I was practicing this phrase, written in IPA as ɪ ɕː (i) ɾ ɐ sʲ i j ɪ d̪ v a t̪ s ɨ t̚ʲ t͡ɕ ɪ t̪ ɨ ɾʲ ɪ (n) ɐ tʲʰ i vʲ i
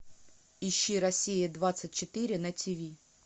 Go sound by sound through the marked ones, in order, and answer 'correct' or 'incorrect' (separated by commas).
correct, correct